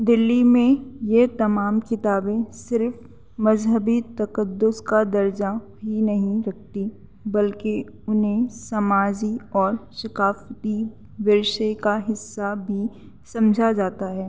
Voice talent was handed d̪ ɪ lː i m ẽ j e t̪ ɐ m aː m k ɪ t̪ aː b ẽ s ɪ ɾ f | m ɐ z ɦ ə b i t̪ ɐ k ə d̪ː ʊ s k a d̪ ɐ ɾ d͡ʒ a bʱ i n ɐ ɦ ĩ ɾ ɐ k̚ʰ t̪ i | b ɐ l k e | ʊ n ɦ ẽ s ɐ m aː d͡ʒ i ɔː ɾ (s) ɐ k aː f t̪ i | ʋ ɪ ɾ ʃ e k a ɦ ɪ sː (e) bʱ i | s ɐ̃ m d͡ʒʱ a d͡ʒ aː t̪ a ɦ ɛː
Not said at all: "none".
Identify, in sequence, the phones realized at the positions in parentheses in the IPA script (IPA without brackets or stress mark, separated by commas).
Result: ʃ, a